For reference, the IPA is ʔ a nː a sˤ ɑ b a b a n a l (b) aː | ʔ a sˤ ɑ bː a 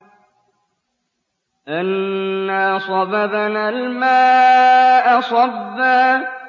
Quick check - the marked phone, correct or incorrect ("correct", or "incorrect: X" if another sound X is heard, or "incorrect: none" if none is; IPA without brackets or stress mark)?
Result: incorrect: m